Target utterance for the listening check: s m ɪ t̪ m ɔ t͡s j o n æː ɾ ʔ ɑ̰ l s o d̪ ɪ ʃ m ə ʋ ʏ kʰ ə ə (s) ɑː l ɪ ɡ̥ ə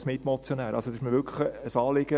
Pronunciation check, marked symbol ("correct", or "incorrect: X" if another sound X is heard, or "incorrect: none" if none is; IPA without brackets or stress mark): correct